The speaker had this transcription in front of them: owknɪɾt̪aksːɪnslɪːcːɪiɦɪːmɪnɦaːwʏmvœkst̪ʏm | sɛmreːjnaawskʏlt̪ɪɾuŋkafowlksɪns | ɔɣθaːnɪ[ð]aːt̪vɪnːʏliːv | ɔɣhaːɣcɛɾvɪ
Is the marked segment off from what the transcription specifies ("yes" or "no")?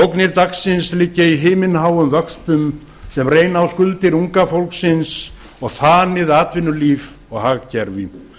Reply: no